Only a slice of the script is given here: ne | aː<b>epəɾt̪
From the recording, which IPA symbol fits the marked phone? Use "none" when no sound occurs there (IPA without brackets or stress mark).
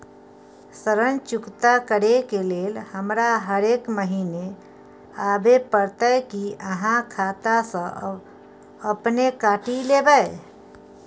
b